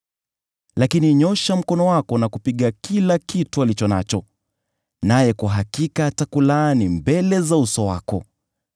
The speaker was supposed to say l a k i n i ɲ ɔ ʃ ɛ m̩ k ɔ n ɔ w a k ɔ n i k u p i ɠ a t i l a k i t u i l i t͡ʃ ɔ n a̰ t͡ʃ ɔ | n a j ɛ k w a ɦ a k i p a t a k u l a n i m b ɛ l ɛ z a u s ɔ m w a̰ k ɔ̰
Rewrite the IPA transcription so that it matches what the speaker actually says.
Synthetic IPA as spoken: l a k i n i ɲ ɔ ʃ a m̩ k ɔ n ɔ w a k ɔ n a k u p i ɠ a k i l a k i t u a l i t͡ʃ ɔ n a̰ t͡ʃ ɔ | n a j ɛ k w a ɦ a k i k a t a k u l a n i m b ɛ l ɛ z a u s ɔ w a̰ k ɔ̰

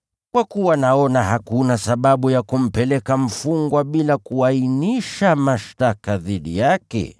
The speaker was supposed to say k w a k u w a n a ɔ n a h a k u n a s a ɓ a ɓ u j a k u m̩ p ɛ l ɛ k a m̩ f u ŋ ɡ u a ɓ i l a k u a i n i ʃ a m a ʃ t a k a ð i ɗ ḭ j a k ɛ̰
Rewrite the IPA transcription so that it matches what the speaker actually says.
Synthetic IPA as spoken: k w a k u w a n a ɔ n a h a k u n a s a ɓ a ɓ u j a k u m̩ p ɛ l ɛ k a m̩ f u ŋ ɡ w a ɓ i l a k u a i n i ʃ a m a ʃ t a k a ð i ɗ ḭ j a k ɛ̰

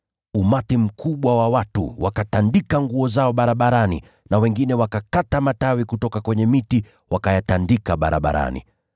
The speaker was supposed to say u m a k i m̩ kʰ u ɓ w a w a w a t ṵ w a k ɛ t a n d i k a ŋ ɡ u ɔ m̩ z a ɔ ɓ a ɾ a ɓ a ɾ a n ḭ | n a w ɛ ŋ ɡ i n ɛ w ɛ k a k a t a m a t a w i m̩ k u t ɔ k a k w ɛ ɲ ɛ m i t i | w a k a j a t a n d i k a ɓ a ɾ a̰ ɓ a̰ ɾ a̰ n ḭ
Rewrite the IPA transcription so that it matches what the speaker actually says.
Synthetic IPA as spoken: u m a t i m̩ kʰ u ɓ w a w a w a t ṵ w a k a t a n d i k a ŋ ɡ u ɔ z a ɔ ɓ a ɾ a ɓ a ɾ a n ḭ | n a w ɛ ŋ ɡ i n ɛ w a k a k a t a m a t a w i k u t ɔ k a k w ɛ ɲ ɛ m i t i | w a k a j a t a n d i k a ɓ a ɾ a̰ ɓ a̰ ɾ a̰ n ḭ

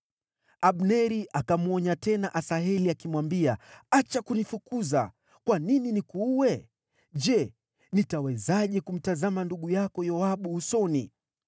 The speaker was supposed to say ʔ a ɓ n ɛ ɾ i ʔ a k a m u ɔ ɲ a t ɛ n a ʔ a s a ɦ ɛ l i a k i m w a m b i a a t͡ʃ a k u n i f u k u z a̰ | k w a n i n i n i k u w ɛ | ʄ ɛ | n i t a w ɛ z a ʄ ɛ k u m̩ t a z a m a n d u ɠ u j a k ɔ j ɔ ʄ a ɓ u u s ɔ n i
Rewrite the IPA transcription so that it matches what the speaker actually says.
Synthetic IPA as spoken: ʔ a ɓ n ɛ ɾ i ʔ a k a m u ɔ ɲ a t ɛ n a ʔ a s a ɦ ɛ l i a k i m w a m b i a a t͡ʃ a k u n i f u k u z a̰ | k w a n i n i n i k u w ɛ | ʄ ɛ | n i t a w ɛ z a ʄ ɛ k u m̩ t a z a m a n d u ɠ u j a k ɔ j ɔ a ɓ u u s ɔ n i

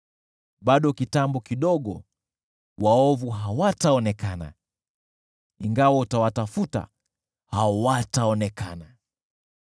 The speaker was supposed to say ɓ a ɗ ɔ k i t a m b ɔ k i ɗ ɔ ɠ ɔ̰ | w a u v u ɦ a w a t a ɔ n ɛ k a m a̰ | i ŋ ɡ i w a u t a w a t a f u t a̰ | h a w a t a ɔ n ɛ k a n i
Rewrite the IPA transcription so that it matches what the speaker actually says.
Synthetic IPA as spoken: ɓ a ɗ ɔ k i t a m b ɔ k i ɗ ɔ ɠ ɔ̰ | w a ɔ v u ɦ a w a t a ɔ n ɛ k a n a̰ | i ŋ ɡ a w a u t a w a t a f u t a̰ | h a w a t a ɔ n ɛ k a n a

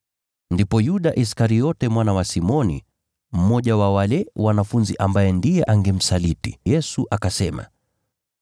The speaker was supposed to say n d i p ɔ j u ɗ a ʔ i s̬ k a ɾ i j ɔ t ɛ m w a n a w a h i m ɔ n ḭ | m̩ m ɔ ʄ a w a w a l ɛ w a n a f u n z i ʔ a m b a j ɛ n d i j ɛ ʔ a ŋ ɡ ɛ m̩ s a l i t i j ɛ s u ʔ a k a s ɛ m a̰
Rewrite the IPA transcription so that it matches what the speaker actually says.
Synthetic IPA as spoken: n d i p ɔ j u ɗ a ʔ i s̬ k a ɾ i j ɔ t ɛ m w a n a w a s i m ɔ n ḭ | m̩ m ɔ ʄ a w a w a l ɛ w a n a f u n z i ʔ a m b a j ɛ n d i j ɛ ʔ a ŋ ɡ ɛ m̩ s a l i t i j ɛ s u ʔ a k a s ɛ m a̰

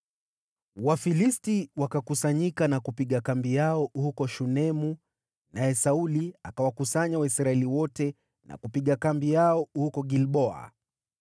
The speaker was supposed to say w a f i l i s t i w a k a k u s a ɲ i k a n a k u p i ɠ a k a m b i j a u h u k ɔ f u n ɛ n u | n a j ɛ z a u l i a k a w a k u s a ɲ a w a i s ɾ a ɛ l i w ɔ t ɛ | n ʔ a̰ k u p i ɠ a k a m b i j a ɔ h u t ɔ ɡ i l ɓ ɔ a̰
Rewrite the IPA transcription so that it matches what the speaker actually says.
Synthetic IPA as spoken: w a f i l i s t i w a k a k u s a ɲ i k a n a k u p i ɠ a k a m b i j a ɔ h u k ɔ ʃ u n ɛ m u | n a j ɛ s a u l i a k a w a k u s a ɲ a w a i s ɾ a ɛ l i w ɔ t ɛ | n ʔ a̰ k u p i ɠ a k a m b i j a ɔ h u k ɔ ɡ i l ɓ ɔ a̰

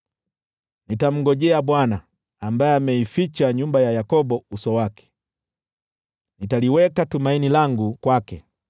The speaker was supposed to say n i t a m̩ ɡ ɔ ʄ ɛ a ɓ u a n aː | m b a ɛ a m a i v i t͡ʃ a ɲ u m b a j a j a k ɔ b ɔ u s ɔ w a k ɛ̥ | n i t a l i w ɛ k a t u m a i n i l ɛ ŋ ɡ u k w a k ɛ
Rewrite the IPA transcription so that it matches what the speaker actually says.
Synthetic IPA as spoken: n i t a m̩ ɡ ɔ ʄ ɛ a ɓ w a n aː | m b a ɛ a m ɛ i f i t͡ʃ a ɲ u m b a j a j a k ɔ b ɔ u s ɔ w a k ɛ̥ | n i t a l i w ɛ k a t u m a i n i l a ŋ ɡ u k w a k ɛ

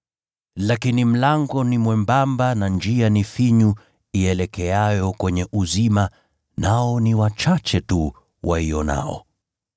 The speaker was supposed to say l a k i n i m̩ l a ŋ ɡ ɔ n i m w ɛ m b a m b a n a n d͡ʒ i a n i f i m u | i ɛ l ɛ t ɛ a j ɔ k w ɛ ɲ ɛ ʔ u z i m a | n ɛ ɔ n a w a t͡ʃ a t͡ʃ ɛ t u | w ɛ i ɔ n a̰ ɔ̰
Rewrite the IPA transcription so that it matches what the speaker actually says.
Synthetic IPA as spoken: l a k i n i m̩ l a ŋ ɡ ɔ n i m w ɛ m b a m b a n a n d͡ʒ i a n i f i ɲ u | i ɛ l ɛ k ɛ a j ɔ k w ɛ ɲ ɛ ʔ u z i m a | n a ɔ n i w a t͡ʃ a t͡ʃ ɛ t u | w a i ɔ n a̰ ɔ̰

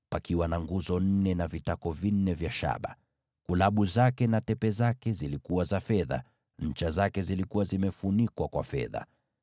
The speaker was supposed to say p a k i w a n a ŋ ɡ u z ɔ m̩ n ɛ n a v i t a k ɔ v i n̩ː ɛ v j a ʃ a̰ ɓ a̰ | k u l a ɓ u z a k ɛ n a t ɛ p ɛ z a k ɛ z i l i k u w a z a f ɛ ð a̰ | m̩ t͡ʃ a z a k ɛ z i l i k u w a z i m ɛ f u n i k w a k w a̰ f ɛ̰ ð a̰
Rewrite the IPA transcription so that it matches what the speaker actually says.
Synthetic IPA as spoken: p a k i w a n a ŋ ɡ u z ɔ n̩ n ɛ n a v i t a k ɔ v i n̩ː ɛ v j a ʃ a̰ ɓ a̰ | k u l a ɓ u z a k ɛ n a t ɛ p ɛ z a k ɛ z i l i k u w a z a f ɛ ð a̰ | ɲ̩ t͡ʃ a z a k ɛ z i l i k u w a z i m ɛ f u n i k w a k w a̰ f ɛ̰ ð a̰

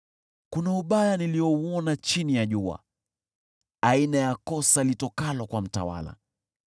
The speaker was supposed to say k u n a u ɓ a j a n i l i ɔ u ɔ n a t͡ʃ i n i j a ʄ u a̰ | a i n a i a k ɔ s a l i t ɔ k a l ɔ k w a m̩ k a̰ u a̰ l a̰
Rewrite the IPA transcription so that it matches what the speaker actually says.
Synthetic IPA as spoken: k u n a u ɓ a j a n i l i ɔ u ɔ n a t͡ʃ i n i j a ʄ u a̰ | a i n a j a k ɔ s a l i t ɔ k a l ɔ k w a m̩ t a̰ w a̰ l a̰

